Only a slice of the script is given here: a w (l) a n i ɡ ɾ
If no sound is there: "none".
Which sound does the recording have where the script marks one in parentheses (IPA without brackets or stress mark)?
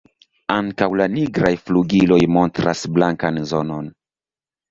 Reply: l